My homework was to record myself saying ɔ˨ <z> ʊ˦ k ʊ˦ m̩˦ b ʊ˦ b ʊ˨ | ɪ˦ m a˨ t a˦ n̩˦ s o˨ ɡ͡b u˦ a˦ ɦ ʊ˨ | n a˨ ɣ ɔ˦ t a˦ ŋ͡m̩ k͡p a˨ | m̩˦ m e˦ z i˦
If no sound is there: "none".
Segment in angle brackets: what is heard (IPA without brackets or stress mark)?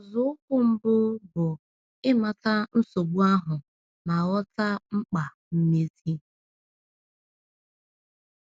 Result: z